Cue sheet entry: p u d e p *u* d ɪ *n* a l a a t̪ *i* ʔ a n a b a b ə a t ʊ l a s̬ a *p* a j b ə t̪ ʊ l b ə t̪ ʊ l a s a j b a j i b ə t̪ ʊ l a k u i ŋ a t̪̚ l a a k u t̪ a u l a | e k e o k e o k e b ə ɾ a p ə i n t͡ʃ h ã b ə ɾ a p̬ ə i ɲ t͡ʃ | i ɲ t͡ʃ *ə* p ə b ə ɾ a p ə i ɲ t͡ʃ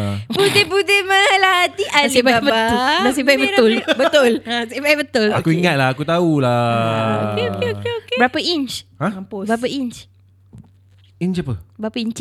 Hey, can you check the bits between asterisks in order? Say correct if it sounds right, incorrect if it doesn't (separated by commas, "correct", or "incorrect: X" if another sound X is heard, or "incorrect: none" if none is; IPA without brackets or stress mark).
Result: correct, incorrect: m, correct, incorrect: b, incorrect: a